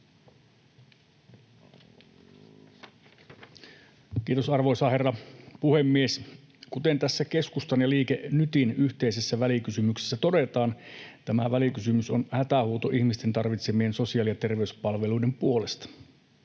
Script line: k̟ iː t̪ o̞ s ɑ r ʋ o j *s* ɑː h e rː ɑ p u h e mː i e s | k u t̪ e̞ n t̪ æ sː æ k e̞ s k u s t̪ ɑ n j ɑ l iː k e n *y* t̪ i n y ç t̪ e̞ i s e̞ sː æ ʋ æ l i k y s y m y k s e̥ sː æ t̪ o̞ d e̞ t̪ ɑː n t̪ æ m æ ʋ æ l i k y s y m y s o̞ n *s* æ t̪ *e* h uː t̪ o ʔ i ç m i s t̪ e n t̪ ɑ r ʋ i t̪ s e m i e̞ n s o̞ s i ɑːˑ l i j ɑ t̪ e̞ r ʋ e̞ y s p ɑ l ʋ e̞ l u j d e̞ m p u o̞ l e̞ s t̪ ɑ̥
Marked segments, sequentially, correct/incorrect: correct, correct, incorrect, incorrect

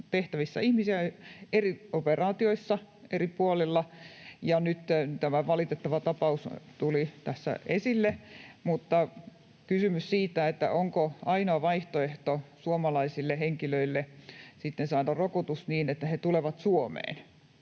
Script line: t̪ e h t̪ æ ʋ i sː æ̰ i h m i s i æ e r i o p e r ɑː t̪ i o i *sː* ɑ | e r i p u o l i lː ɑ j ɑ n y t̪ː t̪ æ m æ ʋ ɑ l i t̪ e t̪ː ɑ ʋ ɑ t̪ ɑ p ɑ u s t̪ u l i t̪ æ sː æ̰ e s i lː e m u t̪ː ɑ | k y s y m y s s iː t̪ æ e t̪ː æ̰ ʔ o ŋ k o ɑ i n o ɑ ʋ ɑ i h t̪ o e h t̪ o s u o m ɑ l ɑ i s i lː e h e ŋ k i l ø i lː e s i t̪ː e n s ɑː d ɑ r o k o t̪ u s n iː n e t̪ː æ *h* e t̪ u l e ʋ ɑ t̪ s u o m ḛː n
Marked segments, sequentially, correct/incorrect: correct, correct

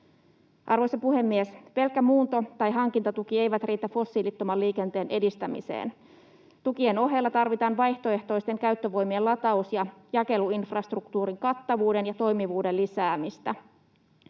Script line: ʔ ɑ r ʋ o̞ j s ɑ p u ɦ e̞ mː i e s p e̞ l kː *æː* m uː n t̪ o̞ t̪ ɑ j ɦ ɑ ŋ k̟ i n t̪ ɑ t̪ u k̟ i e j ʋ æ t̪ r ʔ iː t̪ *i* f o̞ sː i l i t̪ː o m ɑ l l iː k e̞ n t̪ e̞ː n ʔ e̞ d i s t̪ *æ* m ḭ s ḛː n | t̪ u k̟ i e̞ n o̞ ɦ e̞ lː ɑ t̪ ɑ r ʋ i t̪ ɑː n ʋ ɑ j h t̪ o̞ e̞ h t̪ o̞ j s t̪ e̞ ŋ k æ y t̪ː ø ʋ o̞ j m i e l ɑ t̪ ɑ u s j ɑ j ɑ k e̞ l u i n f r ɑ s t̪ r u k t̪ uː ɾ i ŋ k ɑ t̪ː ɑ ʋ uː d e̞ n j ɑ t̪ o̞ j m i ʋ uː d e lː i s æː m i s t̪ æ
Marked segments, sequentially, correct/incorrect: incorrect, incorrect, correct

